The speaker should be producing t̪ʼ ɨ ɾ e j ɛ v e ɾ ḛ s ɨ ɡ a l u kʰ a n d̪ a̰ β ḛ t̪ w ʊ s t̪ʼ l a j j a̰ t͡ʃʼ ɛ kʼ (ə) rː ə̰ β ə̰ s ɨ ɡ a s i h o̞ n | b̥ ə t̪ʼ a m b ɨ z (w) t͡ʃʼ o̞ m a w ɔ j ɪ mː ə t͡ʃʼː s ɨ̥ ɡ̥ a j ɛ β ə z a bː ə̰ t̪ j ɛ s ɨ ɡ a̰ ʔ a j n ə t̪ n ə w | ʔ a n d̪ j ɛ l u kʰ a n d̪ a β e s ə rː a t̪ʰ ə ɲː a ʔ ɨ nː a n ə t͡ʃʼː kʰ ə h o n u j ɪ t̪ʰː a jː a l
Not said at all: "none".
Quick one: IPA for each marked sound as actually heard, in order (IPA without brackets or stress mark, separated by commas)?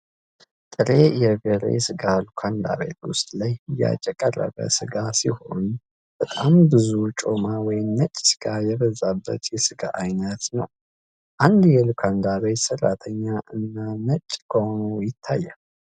ə, u